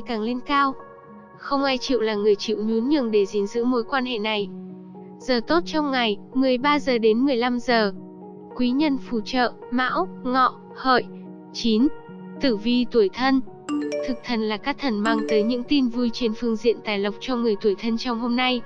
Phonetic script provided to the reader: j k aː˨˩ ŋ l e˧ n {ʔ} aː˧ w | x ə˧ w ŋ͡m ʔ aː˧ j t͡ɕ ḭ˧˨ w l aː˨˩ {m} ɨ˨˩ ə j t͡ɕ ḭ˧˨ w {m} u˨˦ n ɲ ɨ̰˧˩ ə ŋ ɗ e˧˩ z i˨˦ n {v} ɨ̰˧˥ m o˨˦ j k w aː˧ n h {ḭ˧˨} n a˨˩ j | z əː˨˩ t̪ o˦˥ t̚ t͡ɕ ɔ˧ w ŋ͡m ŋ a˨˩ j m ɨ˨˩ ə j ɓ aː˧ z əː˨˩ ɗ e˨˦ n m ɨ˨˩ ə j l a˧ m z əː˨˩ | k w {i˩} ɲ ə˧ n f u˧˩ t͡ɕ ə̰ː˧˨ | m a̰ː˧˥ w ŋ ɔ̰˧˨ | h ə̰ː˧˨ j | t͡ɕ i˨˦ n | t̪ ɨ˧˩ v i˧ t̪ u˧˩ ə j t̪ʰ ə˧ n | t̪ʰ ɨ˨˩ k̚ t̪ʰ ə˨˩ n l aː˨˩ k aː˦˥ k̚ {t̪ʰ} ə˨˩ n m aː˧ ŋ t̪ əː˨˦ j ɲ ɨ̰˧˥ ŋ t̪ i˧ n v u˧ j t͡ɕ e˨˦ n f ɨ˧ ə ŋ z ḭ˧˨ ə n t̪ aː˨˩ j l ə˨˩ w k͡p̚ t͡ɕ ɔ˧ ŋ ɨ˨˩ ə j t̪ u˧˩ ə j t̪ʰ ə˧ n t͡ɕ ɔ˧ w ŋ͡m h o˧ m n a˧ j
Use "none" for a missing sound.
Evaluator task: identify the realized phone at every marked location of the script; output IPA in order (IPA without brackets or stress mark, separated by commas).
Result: k, ŋ, ɲ, z, ḛ˧˨, i˨˦, t̪ʰ